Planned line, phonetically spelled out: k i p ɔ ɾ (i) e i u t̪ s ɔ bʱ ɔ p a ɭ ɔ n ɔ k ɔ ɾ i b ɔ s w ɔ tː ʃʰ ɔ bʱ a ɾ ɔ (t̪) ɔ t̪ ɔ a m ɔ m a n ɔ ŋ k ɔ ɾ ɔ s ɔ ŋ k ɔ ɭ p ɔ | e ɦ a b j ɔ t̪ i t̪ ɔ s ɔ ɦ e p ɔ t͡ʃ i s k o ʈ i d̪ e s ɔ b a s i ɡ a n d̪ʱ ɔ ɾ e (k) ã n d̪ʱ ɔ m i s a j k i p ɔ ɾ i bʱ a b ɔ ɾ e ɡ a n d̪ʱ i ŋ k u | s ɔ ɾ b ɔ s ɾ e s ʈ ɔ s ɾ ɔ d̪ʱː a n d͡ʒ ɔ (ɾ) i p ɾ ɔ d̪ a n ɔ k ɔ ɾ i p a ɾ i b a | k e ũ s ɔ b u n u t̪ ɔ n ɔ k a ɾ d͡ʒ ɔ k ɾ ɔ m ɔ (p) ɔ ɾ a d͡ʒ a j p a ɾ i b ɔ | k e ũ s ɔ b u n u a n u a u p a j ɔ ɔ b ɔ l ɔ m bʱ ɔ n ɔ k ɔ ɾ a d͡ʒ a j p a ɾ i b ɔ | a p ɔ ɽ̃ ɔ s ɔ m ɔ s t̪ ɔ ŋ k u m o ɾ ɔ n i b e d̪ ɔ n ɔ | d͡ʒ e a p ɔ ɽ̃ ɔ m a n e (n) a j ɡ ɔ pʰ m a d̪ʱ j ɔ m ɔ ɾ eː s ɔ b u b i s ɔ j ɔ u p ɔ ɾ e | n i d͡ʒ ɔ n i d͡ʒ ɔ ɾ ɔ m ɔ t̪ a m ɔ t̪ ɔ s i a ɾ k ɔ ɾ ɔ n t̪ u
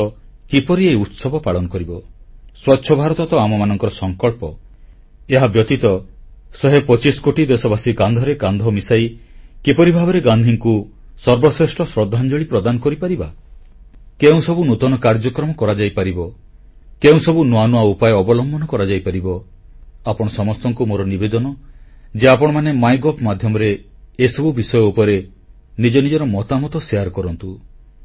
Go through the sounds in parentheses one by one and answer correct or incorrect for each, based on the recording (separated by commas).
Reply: correct, correct, incorrect, incorrect, incorrect, incorrect